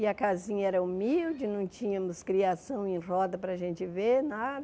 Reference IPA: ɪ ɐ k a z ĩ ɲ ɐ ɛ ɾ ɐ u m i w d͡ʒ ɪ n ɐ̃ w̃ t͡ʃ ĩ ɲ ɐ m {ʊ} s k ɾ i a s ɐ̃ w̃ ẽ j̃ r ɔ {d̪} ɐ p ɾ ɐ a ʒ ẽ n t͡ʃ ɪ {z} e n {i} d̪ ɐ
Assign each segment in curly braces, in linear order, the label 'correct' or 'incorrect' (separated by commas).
correct, correct, incorrect, incorrect